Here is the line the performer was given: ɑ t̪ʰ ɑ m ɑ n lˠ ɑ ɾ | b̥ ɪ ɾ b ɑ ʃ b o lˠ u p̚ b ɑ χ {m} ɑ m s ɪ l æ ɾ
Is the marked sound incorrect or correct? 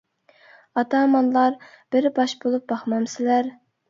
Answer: correct